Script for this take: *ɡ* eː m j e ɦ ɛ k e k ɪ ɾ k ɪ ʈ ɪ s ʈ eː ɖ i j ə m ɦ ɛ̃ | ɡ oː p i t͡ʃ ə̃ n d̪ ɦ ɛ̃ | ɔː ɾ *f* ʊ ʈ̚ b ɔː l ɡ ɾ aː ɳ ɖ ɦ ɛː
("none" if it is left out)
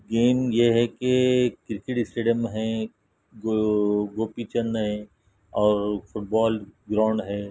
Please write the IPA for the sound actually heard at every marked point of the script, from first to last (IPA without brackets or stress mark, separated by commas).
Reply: ɡ, f